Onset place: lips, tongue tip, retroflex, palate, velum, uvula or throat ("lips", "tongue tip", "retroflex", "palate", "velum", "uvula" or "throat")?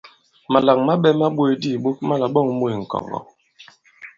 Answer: lips